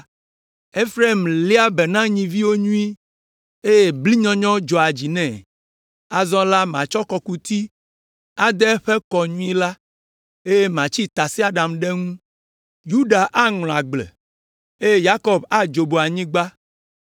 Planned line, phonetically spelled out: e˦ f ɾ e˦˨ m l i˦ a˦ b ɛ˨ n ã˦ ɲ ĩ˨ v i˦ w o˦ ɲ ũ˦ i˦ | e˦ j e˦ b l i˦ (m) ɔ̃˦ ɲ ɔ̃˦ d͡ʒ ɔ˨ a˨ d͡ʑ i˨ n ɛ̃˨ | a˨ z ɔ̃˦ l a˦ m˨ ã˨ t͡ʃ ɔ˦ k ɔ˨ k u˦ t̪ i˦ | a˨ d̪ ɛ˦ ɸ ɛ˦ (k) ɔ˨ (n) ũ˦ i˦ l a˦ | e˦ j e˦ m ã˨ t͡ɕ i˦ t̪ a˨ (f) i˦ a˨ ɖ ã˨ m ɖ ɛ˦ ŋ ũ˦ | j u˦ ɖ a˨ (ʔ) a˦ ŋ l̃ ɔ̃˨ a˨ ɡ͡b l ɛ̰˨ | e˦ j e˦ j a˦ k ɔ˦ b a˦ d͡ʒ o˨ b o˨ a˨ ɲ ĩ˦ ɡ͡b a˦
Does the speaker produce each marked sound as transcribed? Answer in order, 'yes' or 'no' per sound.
no, yes, no, no, yes

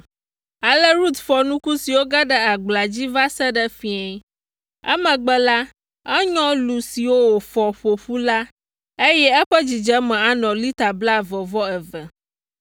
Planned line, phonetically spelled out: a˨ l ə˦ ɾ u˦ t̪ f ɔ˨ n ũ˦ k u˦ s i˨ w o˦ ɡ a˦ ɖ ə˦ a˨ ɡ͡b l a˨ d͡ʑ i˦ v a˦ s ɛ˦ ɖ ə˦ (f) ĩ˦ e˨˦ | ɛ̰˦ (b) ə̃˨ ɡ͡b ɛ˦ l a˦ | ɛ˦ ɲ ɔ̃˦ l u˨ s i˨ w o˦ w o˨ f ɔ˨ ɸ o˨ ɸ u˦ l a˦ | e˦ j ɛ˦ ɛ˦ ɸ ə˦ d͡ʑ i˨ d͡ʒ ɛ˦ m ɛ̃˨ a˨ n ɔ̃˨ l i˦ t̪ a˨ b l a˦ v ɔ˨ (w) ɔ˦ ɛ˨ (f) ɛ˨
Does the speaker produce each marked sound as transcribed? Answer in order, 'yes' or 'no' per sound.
yes, no, no, no

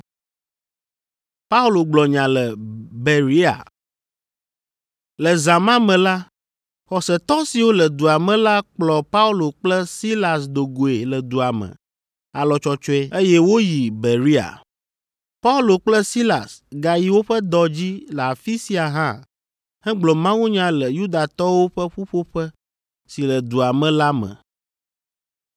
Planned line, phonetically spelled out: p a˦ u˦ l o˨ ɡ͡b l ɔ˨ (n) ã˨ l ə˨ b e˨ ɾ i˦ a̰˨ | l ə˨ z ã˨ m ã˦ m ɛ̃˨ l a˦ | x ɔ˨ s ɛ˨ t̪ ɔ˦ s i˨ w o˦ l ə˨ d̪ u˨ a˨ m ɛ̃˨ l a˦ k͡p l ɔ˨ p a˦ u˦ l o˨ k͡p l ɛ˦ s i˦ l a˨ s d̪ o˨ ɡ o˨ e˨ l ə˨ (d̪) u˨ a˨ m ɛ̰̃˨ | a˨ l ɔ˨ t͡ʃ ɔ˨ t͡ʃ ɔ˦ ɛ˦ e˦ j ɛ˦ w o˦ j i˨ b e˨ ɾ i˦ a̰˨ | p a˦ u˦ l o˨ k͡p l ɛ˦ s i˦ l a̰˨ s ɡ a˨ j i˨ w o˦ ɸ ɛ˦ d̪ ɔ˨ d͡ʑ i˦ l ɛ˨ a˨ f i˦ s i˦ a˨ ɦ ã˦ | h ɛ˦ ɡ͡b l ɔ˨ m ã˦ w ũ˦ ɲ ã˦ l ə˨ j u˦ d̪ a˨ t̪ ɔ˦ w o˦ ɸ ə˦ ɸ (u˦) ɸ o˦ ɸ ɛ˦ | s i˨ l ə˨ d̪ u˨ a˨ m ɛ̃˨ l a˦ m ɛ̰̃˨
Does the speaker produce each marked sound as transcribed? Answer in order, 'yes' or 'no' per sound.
no, yes, yes

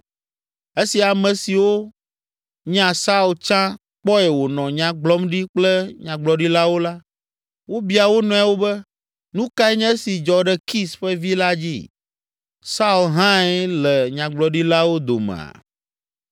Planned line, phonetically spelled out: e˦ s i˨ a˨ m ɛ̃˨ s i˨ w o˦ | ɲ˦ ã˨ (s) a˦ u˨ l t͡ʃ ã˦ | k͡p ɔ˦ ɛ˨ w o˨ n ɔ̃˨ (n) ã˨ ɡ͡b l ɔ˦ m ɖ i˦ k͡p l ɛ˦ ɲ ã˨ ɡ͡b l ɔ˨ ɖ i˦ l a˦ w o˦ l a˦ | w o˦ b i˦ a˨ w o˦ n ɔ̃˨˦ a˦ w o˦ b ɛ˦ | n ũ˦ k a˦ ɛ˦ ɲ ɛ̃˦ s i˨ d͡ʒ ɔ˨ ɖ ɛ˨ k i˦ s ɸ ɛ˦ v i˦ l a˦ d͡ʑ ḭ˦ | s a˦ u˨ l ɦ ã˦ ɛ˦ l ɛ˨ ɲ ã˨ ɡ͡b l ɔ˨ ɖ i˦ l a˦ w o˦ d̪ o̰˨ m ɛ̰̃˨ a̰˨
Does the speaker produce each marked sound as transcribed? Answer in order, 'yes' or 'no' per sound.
yes, no

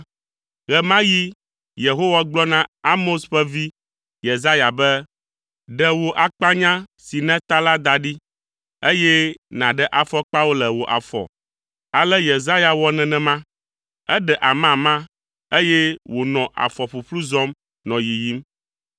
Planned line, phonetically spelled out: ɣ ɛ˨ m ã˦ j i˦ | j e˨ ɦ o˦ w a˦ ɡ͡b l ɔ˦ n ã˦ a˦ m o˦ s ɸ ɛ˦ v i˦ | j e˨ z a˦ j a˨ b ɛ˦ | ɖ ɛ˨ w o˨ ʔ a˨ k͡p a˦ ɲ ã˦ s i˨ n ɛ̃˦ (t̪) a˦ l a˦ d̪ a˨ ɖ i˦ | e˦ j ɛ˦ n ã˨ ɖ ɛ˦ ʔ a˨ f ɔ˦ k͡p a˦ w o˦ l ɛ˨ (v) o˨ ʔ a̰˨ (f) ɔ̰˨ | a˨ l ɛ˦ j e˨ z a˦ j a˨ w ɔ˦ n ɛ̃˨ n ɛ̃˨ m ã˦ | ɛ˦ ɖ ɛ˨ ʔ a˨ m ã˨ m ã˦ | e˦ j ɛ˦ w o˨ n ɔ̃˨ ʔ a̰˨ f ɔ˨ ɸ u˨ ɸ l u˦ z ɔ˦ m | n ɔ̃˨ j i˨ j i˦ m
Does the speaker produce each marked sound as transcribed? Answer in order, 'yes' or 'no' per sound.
yes, no, yes

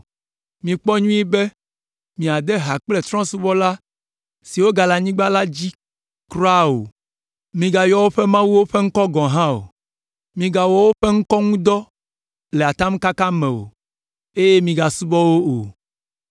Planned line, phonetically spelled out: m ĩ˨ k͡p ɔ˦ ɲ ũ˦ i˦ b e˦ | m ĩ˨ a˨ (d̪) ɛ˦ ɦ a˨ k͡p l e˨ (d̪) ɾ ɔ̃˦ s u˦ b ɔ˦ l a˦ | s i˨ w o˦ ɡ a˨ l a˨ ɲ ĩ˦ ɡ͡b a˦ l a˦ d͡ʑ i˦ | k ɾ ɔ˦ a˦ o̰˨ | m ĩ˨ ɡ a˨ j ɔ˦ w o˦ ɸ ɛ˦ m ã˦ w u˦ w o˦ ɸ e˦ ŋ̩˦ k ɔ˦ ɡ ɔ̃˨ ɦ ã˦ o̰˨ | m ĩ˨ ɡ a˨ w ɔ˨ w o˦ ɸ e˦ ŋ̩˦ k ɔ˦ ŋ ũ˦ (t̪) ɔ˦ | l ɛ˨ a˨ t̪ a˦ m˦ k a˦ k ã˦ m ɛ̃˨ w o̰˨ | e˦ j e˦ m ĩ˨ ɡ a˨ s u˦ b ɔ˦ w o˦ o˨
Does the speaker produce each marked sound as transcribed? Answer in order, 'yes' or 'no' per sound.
yes, no, no

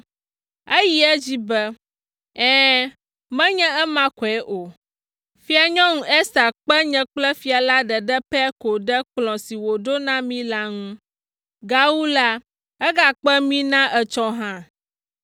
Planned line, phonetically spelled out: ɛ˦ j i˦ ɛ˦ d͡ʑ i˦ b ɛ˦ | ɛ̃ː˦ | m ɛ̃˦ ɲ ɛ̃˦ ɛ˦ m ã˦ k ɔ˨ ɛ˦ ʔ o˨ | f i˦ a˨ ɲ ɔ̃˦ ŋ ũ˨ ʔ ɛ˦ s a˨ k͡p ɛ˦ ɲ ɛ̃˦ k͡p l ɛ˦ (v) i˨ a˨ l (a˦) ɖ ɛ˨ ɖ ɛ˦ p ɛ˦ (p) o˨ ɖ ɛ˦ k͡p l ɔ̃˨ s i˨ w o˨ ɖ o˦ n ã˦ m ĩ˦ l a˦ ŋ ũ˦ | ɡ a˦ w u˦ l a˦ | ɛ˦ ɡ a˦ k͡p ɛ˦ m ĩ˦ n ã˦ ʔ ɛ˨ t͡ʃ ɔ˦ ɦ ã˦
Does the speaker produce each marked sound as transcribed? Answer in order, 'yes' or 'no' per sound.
no, yes, no

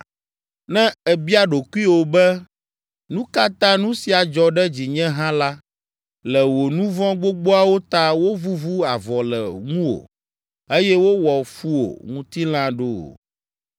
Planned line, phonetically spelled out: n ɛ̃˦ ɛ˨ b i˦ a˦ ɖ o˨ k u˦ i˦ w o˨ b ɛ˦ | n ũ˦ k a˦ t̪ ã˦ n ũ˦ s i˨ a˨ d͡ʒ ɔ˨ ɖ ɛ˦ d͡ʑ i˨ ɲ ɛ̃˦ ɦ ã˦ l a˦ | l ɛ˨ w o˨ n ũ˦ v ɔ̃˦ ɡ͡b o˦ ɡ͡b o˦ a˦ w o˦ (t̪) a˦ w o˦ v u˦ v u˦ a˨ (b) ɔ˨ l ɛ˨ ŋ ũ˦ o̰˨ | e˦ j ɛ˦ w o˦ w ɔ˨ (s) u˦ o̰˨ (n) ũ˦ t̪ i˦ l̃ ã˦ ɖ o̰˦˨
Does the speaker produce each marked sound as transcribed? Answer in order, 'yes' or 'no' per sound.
yes, no, no, no

